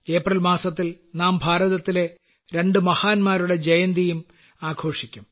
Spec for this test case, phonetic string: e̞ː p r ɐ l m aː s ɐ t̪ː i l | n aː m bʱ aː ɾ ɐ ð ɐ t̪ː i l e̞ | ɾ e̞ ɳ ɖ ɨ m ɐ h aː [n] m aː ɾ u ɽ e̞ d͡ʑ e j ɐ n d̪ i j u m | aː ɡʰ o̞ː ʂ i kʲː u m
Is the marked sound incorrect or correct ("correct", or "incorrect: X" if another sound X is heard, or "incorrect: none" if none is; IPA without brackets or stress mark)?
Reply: correct